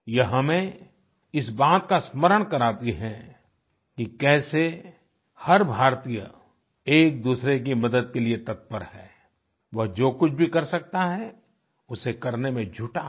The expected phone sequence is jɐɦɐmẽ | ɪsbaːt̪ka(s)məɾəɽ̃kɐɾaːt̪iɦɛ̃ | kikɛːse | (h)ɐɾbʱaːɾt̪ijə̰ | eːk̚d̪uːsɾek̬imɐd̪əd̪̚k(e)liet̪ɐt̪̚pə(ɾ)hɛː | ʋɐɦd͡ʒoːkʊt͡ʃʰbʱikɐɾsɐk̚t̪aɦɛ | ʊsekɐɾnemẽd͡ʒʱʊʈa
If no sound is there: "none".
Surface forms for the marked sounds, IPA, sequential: s, h, e, ɾ

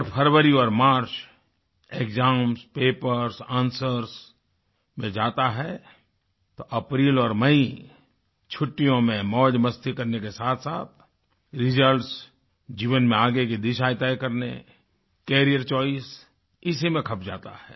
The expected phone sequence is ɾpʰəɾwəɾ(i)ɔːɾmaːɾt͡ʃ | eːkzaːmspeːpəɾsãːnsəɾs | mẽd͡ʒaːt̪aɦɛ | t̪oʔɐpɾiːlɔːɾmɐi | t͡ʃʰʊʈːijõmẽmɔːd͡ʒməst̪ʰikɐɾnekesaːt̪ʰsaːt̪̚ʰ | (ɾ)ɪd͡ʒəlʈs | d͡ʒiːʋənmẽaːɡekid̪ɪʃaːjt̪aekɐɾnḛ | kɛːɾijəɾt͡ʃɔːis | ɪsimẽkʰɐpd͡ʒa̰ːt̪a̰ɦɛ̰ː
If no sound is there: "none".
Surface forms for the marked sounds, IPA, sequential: i, ɾ

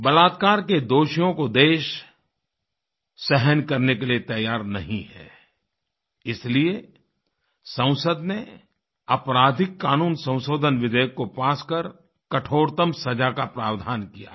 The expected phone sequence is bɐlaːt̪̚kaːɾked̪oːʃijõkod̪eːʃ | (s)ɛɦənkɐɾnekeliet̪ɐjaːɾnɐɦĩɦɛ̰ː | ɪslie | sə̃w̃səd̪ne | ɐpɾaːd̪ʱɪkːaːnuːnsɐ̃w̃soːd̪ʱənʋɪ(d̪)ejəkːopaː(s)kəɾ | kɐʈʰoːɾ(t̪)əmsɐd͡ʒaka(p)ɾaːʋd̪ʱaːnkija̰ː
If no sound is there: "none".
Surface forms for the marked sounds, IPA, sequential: s, d̪, s, t̪, p

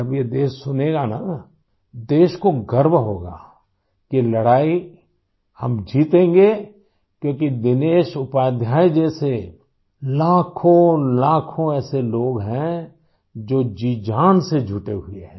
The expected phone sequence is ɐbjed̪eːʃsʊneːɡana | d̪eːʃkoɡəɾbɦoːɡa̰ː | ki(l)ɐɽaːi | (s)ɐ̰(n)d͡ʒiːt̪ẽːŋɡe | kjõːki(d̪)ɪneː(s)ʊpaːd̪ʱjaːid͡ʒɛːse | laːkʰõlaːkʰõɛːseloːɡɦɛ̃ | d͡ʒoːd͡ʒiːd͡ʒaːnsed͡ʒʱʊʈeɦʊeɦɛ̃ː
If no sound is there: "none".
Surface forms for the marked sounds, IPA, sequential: l, h, m, d̪, ʃ

